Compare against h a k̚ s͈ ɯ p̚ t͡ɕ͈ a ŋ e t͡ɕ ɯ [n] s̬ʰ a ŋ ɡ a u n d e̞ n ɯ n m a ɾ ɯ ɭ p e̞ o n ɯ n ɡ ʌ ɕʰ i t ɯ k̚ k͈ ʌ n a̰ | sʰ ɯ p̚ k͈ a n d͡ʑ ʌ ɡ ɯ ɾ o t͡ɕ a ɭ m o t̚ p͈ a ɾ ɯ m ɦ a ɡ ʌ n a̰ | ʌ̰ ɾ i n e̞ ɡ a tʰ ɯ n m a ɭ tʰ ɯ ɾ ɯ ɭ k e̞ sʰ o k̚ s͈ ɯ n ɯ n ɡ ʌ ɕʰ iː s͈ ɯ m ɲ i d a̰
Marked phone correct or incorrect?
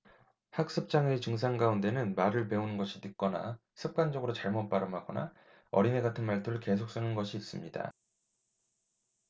incorrect